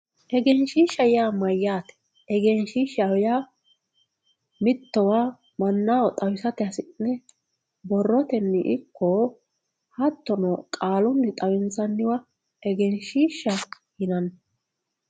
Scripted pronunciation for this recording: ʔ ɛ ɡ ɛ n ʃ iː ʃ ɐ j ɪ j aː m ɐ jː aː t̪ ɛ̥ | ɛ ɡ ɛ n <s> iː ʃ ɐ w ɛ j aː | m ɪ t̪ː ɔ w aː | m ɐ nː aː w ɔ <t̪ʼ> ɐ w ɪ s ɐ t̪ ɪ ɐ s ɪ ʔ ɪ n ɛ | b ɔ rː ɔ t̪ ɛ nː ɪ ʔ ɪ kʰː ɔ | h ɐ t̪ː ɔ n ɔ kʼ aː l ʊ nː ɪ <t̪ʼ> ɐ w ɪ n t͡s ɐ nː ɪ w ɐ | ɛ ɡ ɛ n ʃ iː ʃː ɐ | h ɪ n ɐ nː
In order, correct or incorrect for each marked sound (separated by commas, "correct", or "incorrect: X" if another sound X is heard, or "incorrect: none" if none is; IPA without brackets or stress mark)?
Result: incorrect: ʃ, correct, correct